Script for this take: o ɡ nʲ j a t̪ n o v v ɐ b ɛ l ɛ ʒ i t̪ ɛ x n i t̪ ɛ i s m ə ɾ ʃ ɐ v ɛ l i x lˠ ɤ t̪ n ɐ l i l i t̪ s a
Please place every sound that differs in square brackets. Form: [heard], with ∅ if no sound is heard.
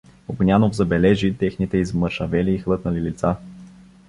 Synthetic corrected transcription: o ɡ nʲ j a [∅] n o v [z] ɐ b ɛ l ɛ ʒ i t̪ ɛ x n i t̪ ɛ i [z] m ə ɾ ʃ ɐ v ɛ l [iː] x lˠ ɤ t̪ n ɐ l i l i t̪ s a